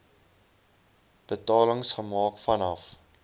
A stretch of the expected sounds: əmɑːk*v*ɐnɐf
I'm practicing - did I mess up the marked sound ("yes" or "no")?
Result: yes